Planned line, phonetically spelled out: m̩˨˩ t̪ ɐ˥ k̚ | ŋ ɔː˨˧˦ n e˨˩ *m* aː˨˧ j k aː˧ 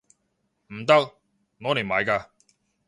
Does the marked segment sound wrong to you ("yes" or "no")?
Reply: no